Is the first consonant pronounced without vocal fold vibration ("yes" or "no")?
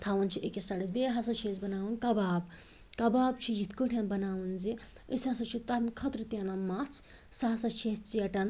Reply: yes